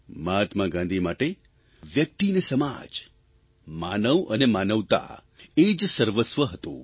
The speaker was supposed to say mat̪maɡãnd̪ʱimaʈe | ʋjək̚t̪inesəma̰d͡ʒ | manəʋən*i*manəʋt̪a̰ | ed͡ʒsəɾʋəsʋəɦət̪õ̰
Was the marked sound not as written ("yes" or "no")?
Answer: yes